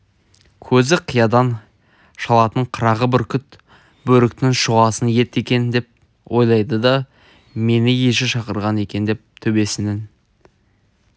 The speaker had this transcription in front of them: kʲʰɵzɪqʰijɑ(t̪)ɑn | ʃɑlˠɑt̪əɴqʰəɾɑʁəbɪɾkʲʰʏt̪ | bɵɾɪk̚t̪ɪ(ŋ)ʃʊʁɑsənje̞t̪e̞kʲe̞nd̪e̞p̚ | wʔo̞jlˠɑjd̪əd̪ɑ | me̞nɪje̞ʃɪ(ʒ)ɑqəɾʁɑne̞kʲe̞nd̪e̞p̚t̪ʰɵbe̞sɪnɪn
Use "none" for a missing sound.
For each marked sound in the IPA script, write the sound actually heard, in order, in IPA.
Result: d̪, ŋ, ʃ

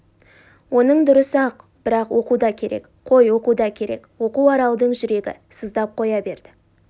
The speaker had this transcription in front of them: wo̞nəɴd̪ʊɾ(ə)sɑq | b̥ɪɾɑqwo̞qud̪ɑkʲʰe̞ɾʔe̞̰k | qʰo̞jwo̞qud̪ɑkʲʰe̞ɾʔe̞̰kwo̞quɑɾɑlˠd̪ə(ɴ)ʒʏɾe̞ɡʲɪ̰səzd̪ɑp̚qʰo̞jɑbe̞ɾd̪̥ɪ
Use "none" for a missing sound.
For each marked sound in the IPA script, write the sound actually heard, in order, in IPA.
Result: ə, ɴ

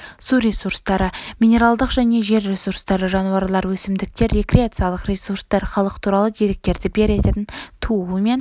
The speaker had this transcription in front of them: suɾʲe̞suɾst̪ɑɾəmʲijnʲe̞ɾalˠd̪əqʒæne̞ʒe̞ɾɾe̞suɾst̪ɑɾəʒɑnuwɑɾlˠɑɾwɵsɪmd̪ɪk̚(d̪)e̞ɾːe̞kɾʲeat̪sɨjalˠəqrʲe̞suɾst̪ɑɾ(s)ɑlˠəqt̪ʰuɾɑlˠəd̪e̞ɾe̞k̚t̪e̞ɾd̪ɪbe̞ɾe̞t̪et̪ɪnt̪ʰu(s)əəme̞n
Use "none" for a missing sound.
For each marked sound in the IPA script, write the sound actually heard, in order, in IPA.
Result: t̪, χ, none

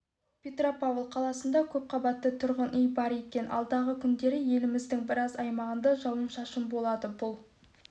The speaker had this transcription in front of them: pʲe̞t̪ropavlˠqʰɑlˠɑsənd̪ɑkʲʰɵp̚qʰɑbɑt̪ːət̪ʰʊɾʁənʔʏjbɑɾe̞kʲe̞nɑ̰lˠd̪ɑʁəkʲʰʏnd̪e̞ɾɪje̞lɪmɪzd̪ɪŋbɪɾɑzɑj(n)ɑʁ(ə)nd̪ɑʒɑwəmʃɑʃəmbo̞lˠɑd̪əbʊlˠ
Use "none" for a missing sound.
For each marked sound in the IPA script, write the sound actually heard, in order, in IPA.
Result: m, ə

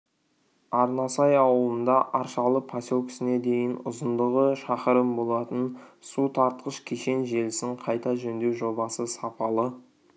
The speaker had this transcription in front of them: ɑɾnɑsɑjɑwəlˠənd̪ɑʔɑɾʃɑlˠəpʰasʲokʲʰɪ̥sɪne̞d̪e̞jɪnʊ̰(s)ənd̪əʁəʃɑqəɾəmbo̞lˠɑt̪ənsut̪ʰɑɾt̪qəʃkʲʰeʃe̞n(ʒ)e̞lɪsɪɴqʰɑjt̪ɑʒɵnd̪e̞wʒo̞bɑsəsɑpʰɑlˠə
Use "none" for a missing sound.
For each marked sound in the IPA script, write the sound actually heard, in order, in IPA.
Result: z, ʒ

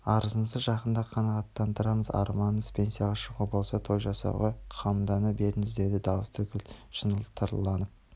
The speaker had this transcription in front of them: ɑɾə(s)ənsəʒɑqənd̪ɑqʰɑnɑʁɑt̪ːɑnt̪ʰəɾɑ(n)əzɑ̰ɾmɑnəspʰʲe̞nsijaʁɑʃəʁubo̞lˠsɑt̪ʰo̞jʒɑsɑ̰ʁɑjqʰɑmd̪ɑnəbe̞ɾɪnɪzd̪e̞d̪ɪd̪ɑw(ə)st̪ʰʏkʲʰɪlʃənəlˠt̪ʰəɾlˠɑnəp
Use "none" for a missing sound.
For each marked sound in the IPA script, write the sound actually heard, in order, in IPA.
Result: z, m, ə

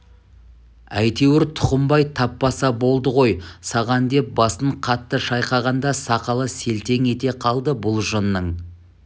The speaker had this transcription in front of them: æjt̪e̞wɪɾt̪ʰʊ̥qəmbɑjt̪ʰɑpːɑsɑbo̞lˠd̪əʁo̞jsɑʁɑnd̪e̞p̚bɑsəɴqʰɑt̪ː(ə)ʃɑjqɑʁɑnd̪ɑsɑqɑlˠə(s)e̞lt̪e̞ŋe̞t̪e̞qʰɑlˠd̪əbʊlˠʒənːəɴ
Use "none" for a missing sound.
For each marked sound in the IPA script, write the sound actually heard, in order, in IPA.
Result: ə, s

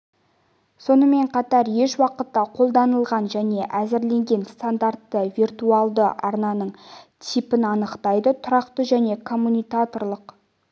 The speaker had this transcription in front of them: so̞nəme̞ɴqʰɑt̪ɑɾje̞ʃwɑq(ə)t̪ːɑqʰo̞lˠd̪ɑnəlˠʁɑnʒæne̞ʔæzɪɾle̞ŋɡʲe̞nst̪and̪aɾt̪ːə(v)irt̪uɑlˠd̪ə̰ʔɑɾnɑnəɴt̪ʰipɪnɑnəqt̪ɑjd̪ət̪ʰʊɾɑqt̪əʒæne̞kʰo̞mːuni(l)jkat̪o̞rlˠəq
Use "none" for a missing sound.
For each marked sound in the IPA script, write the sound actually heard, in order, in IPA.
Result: ə, v, none

